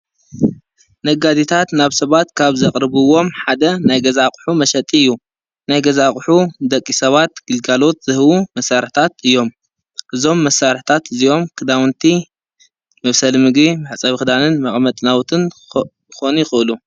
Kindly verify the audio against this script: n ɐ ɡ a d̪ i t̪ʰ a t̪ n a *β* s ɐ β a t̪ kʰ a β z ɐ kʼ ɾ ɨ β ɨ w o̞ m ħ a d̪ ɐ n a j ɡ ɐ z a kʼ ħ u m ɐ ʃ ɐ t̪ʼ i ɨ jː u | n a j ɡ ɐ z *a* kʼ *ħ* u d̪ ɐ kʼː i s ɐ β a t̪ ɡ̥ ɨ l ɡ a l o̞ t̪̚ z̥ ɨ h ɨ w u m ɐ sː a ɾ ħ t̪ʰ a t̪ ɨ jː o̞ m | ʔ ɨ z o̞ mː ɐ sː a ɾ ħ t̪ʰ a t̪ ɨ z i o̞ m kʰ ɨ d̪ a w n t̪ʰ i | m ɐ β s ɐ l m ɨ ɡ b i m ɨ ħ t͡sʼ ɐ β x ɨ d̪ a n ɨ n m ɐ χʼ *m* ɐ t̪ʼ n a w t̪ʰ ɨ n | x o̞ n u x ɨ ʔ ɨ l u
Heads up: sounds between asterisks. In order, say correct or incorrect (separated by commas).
correct, correct, correct, correct